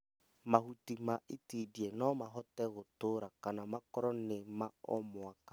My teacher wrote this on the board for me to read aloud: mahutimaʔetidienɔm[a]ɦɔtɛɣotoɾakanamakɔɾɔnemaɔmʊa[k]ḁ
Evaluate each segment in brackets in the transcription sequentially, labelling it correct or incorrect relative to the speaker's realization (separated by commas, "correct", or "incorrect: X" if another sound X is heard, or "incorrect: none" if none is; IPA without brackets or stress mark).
correct, correct